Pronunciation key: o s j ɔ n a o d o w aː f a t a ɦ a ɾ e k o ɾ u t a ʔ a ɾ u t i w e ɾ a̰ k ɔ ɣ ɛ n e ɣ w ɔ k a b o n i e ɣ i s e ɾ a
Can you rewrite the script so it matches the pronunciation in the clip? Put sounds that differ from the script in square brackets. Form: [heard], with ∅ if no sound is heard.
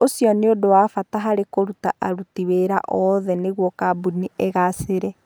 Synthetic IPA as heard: o s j ɔ n [e] o d o w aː f a t a ɦ a ɾ e k o ɾ u t a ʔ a ɾ u t i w e ɾ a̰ [ʔ] ɔ [ð] ɛ n e ɣ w ɔ k a b [u] n i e ɣ [a] s e ɾ [ɛ]